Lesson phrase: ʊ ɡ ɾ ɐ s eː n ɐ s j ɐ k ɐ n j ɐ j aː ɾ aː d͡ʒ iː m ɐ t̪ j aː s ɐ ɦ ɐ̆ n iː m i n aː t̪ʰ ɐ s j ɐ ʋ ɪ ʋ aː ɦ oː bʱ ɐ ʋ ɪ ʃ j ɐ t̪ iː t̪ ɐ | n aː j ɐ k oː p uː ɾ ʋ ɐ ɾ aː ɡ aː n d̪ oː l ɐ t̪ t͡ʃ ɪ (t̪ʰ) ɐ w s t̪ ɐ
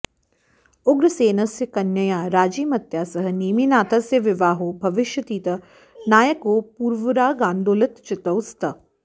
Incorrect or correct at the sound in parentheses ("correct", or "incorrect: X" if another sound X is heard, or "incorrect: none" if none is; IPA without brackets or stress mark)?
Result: incorrect: t̪